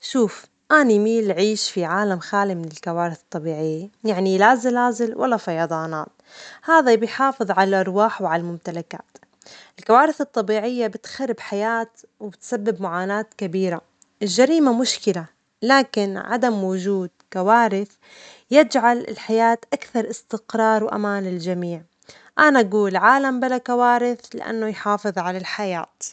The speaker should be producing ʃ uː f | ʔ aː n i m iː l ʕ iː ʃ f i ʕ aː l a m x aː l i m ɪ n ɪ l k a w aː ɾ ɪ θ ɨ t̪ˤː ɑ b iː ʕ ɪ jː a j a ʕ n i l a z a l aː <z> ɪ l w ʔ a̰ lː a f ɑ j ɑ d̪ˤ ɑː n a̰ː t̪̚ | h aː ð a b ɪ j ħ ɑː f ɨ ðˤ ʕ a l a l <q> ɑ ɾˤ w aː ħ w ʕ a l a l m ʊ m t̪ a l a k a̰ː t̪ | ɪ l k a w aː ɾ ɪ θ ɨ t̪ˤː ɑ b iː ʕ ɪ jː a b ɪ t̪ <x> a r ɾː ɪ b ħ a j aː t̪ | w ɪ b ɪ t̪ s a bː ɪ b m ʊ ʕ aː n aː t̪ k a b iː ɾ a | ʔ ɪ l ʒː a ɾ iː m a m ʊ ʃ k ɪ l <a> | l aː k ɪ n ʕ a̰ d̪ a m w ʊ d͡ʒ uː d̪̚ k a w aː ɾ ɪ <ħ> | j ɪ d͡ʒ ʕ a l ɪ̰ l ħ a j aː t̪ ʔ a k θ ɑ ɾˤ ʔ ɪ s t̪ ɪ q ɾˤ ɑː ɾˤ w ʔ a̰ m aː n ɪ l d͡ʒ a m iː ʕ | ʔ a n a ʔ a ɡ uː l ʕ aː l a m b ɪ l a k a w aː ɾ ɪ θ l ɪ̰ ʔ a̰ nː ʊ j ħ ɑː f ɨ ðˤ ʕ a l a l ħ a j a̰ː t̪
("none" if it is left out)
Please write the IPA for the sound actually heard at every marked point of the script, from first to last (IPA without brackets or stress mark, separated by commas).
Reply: z, ʔ, x, a, θ